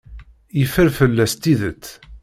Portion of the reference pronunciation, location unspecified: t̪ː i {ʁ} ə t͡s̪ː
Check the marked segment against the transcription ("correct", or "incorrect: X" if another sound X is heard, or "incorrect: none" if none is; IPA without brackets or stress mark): incorrect: ð